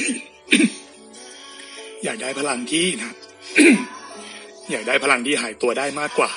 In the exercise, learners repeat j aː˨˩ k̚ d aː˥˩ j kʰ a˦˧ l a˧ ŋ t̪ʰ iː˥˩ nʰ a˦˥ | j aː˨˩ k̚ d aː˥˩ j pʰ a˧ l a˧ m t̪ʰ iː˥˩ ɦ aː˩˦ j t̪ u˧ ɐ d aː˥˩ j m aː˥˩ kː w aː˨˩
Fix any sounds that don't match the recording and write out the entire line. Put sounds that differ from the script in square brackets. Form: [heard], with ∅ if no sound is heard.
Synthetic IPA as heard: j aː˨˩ k̚ d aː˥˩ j [pʰ] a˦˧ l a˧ ŋ t̪ʰ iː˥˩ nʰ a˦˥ | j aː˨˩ k̚ d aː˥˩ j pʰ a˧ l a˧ [ŋ] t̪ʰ iː˥˩ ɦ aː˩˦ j t̪ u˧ ɐ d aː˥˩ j m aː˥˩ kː w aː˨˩